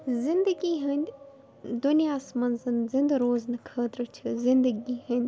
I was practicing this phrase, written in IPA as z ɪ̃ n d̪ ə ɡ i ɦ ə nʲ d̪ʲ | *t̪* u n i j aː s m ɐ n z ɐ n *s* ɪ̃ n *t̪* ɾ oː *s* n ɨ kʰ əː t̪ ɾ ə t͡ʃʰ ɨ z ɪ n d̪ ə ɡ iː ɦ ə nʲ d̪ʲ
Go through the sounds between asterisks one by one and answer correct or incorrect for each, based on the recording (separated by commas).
incorrect, incorrect, incorrect, incorrect